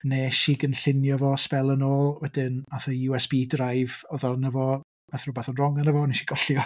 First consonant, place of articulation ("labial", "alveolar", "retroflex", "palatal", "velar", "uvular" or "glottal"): alveolar